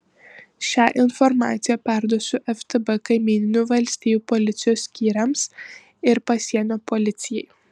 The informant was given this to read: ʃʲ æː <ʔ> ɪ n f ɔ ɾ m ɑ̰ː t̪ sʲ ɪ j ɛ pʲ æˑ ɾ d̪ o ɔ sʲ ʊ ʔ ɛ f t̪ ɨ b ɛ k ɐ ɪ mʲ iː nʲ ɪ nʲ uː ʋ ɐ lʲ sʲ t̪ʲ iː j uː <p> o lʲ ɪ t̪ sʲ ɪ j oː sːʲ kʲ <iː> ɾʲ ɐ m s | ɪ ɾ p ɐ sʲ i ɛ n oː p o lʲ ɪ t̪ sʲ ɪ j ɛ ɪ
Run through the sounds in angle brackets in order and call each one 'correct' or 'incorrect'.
correct, correct, correct

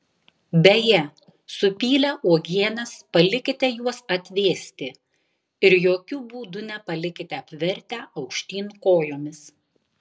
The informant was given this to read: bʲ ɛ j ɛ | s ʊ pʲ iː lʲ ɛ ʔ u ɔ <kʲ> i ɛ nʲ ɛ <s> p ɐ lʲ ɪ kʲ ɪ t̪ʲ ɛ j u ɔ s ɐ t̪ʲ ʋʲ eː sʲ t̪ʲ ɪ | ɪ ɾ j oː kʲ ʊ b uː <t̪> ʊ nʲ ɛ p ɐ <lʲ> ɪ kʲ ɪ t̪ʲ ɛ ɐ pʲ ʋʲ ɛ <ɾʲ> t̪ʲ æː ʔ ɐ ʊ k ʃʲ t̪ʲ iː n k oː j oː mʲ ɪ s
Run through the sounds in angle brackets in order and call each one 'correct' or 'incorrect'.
incorrect: ɡʲ, correct, incorrect: d̪, correct, correct

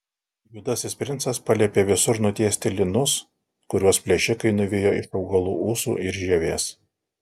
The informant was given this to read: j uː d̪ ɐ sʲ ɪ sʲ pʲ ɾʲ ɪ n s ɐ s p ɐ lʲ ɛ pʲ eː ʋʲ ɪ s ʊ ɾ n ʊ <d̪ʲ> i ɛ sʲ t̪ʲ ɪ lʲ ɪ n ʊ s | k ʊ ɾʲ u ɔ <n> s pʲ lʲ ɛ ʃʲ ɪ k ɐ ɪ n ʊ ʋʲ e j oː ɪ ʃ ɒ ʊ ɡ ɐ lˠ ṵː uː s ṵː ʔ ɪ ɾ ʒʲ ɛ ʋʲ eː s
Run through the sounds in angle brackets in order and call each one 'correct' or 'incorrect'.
incorrect: t̪ʲ, incorrect: none

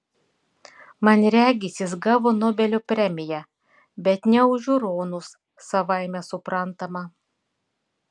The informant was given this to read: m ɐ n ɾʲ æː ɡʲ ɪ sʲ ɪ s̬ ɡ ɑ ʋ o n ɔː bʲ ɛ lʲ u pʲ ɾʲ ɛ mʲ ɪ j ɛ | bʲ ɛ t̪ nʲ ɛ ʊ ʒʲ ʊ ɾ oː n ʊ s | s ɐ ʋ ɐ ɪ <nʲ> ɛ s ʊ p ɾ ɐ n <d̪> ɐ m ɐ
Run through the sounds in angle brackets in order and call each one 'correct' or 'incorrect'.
incorrect: mʲ, incorrect: t̪

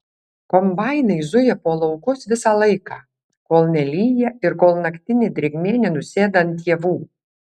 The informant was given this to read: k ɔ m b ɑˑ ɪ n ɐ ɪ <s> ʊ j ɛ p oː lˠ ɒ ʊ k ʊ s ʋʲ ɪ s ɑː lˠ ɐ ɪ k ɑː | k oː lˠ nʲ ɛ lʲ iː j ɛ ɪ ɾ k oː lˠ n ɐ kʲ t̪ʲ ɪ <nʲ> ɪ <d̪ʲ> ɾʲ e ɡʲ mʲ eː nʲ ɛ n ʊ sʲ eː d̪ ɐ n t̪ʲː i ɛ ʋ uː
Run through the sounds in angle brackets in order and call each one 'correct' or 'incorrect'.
incorrect: z, correct, correct

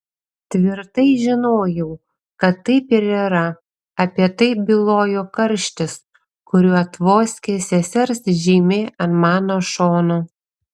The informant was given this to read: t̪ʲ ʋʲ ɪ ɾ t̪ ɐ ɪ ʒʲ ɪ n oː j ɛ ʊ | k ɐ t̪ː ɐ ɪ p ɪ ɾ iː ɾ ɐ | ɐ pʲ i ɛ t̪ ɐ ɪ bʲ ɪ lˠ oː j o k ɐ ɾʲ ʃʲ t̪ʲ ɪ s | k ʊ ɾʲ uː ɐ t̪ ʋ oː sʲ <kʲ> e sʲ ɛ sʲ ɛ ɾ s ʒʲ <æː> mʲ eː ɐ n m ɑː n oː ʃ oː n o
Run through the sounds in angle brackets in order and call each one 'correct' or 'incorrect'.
correct, incorrect: iː

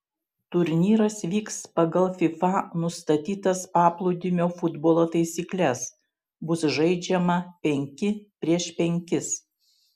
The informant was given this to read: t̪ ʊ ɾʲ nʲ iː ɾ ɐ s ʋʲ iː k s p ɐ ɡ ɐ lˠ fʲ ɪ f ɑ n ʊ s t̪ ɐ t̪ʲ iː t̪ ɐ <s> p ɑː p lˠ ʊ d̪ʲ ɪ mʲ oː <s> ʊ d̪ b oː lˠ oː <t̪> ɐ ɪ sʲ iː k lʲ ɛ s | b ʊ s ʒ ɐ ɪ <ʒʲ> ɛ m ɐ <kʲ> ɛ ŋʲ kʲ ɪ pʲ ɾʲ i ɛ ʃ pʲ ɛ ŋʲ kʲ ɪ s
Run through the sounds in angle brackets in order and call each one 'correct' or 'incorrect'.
correct, incorrect: f, correct, incorrect: d͡ʒʲ, incorrect: pʲ

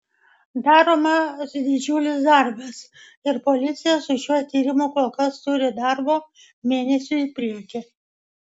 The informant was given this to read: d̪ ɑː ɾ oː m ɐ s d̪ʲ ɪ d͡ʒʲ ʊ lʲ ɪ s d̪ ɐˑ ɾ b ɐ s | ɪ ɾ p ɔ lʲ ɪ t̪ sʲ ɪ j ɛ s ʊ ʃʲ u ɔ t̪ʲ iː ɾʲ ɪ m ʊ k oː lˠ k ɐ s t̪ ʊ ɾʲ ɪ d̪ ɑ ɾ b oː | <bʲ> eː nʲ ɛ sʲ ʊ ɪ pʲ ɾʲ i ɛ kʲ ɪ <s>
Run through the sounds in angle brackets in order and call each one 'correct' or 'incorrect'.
incorrect: mʲ, incorrect: none

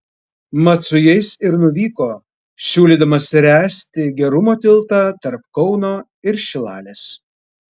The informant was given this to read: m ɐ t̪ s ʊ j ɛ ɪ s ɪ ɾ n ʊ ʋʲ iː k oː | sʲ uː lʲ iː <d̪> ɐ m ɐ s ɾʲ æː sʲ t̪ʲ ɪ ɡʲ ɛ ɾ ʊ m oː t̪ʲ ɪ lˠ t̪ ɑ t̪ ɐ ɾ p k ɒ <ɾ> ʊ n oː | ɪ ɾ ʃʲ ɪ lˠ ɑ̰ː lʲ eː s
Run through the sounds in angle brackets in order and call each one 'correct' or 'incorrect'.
correct, incorrect: none

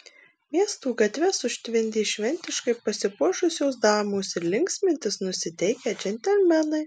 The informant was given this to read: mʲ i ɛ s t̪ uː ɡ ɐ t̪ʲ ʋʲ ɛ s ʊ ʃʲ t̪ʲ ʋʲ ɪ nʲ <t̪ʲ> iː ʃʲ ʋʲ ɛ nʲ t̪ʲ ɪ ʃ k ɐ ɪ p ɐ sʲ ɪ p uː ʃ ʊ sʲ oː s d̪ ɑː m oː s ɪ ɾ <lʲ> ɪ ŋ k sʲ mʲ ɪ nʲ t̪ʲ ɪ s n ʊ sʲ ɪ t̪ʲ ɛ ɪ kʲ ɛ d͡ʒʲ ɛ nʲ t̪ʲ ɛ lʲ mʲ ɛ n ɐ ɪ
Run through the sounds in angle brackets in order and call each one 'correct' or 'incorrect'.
incorrect: d̪ʲ, correct

